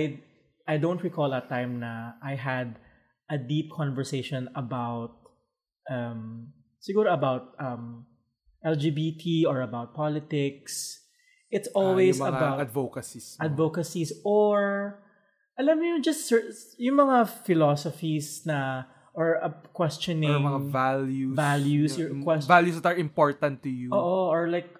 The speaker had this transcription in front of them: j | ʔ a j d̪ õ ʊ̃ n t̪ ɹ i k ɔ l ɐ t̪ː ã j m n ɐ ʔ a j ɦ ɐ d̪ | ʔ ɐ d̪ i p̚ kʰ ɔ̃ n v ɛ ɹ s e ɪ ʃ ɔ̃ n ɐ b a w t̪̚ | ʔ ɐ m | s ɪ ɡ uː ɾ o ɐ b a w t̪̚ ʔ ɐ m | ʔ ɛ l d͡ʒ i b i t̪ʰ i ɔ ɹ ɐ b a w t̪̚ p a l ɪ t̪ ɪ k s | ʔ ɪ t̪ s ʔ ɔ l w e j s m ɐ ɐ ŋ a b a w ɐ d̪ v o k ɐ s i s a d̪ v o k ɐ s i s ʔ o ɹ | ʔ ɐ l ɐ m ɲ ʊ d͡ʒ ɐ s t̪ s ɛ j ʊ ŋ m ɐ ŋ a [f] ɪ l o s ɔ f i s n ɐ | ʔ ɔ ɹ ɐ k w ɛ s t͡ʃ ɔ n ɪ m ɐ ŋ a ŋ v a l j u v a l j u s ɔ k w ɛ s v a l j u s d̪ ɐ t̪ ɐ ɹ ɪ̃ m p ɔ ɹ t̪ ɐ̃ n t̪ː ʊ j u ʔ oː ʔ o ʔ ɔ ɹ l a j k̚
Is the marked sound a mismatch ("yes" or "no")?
no